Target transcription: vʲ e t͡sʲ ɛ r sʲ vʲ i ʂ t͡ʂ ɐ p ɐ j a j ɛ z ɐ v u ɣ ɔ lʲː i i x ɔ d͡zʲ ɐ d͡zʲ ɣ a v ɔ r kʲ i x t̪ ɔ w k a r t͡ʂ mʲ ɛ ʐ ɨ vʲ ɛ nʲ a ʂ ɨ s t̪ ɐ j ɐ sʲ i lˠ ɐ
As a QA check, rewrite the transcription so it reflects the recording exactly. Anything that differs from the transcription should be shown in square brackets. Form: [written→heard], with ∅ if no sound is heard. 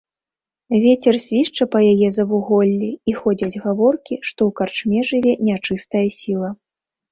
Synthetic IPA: vʲ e t͡sʲ ɛ r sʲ vʲ i ʂ t͡ʂ ɐ p ɐ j a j ɛ z ɐ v u ɣ ɔ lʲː i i x ɔ d͡zʲ ɐ d͡zʲ ɣ a v ɔ r kʲ i [x→ʂ] t̪ ɔ w k a r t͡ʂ mʲ ɛ ʐ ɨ vʲ ɛ nʲ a [ʂ→t͡ʂ] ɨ s t̪ ɐ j ɐ sʲ i lˠ ɐ